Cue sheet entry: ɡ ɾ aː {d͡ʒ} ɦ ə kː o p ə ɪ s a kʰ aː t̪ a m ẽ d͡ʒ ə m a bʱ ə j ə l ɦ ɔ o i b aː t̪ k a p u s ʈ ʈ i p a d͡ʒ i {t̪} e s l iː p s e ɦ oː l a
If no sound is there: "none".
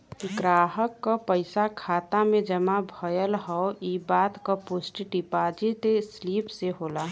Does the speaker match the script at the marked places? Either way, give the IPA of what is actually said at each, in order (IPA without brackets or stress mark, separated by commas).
none, t̪